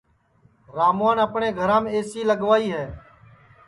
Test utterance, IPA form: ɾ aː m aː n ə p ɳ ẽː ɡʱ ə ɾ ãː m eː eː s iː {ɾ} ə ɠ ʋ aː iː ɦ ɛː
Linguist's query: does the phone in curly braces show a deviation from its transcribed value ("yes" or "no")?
yes